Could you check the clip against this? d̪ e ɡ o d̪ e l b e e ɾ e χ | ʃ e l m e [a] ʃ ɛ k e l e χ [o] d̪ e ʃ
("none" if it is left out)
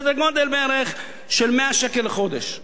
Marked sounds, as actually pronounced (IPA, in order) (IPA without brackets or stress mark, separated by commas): a, o